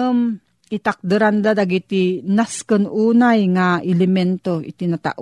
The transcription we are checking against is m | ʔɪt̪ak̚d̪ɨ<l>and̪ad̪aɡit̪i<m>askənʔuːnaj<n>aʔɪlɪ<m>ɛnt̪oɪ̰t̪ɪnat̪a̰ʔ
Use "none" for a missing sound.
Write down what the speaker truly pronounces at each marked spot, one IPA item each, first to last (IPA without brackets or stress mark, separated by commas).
ɾ, n, ŋ, m